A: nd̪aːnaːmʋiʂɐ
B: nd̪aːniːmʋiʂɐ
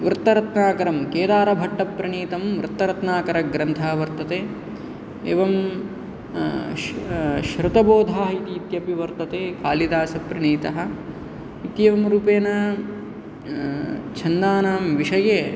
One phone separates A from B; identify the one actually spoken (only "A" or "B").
A